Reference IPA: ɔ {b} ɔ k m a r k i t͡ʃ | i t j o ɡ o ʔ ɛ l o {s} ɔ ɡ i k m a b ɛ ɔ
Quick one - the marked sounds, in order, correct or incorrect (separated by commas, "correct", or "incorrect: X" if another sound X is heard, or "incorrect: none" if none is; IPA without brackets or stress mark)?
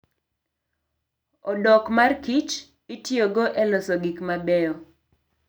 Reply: incorrect: d, correct